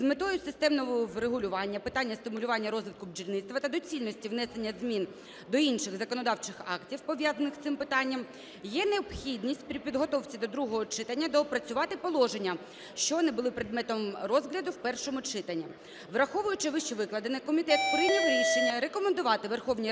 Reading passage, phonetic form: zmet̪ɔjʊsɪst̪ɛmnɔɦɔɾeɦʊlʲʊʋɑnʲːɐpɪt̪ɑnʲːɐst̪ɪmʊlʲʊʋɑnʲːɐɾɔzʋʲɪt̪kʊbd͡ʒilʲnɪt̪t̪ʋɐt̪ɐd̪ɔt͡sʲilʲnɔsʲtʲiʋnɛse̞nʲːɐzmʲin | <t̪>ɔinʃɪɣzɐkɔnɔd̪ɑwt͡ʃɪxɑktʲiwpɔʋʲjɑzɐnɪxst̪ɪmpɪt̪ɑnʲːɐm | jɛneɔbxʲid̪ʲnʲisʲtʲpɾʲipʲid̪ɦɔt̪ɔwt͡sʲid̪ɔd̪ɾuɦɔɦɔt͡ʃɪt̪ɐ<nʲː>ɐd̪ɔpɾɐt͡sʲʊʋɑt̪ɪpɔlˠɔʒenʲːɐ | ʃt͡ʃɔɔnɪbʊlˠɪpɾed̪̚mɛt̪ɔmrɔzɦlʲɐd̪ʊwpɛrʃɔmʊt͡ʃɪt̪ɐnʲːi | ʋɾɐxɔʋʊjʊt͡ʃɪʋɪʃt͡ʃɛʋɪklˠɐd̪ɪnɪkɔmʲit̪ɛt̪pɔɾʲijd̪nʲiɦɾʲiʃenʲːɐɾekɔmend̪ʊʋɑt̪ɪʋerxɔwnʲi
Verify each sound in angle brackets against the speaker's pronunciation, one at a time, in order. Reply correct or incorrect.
incorrect, correct

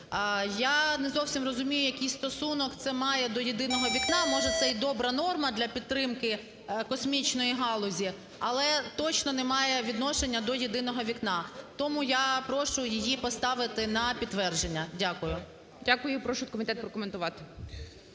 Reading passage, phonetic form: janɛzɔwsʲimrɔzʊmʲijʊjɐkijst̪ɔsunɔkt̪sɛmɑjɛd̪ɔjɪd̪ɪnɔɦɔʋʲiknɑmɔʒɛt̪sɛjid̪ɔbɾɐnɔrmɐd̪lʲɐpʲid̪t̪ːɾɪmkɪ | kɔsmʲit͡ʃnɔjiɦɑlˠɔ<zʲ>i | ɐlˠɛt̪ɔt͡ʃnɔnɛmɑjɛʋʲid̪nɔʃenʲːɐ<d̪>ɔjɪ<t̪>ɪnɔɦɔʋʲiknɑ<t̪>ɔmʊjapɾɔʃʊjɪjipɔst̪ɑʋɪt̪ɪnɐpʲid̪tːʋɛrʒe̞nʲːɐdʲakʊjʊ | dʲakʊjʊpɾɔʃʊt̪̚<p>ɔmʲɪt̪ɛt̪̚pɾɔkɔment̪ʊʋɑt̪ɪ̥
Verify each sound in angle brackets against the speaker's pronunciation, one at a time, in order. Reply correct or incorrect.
correct, correct, incorrect, correct, incorrect

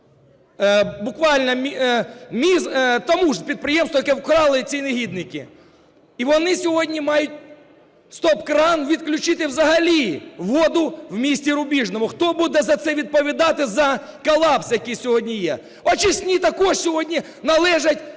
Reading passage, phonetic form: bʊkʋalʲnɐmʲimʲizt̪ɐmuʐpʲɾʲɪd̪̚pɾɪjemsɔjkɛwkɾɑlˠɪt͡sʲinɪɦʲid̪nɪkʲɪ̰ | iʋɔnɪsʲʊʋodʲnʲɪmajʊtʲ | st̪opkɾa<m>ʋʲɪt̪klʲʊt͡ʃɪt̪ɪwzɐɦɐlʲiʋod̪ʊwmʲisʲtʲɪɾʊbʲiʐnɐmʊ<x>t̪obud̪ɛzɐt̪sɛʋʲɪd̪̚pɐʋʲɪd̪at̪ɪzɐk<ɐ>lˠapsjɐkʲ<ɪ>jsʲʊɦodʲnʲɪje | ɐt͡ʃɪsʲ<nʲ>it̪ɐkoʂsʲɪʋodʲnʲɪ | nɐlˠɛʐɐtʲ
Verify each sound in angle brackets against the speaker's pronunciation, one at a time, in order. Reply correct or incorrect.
incorrect, correct, correct, incorrect, correct

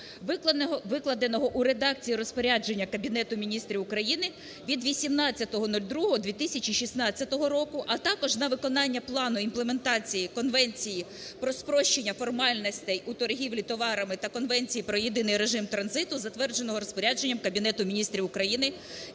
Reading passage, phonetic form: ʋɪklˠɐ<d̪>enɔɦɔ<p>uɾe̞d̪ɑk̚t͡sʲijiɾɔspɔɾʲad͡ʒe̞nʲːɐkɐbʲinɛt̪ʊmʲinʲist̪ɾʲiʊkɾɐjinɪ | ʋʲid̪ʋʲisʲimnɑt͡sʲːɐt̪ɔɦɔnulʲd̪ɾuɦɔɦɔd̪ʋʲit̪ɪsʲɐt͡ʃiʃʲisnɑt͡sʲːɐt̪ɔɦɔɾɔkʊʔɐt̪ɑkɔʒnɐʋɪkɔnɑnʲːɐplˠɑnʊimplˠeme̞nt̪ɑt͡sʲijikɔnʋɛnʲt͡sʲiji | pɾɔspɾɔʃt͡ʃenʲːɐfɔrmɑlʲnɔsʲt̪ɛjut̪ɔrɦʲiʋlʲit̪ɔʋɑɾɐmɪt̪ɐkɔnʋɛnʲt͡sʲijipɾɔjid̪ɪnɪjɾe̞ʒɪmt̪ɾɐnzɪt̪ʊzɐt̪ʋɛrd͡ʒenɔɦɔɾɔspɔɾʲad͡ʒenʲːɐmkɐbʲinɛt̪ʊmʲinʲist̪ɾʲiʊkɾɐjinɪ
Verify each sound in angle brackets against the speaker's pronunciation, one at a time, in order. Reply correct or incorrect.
correct, incorrect

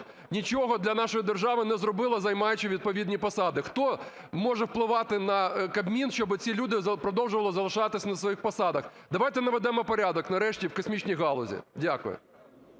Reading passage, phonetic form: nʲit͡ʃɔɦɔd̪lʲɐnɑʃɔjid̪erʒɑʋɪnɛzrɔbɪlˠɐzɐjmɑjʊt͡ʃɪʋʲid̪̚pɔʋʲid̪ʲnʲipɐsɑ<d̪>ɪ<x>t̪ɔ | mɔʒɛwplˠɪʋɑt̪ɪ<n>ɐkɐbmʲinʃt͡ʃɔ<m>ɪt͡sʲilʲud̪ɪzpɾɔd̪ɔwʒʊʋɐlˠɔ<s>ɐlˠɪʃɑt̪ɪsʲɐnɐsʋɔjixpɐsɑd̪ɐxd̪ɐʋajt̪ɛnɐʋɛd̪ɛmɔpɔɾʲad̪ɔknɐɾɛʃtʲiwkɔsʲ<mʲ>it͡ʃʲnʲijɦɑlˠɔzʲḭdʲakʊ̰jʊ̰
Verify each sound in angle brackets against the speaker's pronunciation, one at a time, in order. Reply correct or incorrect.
correct, correct, correct, incorrect, incorrect, correct

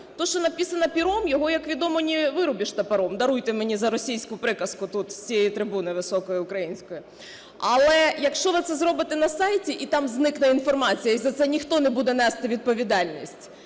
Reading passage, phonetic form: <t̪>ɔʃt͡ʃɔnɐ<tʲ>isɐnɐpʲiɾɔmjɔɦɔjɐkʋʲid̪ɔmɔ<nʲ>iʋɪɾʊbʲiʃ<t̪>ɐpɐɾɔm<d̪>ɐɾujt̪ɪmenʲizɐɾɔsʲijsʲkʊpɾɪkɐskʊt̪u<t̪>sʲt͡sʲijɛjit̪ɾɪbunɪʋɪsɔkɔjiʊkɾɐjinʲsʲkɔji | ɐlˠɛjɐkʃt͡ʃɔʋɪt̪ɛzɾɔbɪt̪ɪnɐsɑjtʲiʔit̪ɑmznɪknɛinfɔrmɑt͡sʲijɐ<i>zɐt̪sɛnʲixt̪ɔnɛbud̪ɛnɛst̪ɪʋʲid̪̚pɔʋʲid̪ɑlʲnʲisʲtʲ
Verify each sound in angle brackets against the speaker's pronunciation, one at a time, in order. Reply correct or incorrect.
correct, incorrect, correct, correct, correct, correct, correct

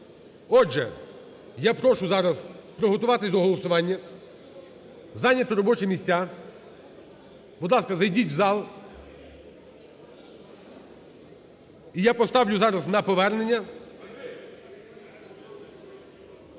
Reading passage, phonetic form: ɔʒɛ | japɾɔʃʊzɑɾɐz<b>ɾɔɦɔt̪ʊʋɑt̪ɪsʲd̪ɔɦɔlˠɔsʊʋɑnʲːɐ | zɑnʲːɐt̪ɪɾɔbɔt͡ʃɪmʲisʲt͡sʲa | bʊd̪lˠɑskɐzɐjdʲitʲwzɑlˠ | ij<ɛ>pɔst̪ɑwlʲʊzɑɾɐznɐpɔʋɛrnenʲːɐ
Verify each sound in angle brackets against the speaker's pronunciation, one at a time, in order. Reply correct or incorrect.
incorrect, incorrect

